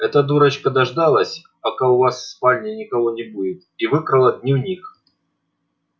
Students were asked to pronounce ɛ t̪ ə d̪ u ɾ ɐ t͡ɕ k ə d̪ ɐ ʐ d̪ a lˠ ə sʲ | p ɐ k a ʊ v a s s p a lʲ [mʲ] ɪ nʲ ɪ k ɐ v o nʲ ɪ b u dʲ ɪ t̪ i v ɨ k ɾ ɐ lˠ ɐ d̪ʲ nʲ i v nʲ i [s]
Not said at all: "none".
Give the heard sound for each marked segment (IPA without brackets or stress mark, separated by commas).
nʲ, x